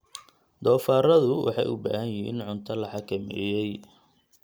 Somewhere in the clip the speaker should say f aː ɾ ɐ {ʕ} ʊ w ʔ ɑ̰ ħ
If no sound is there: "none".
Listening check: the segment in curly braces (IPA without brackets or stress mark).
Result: ð